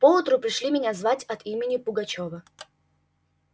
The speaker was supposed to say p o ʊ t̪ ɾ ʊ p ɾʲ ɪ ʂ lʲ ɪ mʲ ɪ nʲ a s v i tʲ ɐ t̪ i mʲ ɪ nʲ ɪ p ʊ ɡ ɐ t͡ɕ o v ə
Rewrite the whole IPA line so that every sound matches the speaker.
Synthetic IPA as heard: p o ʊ t̪ ɾ ʊ p ɾʲ ɪ ʂ lʲ i mʲ ɪ nʲ a z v a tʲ ɐ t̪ i mʲ ɪ nʲ ɪ p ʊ ɡ ɐ t͡ɕ o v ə